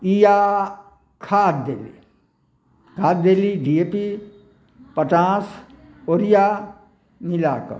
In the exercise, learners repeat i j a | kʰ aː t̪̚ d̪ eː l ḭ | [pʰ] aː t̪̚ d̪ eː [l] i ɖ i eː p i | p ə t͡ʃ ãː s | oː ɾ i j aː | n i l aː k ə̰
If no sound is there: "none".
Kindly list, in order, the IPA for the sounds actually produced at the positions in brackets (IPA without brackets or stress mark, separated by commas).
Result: kʰ, l